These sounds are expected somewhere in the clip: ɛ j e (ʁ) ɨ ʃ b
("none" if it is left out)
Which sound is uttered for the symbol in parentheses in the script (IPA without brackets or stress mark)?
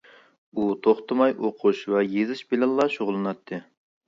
z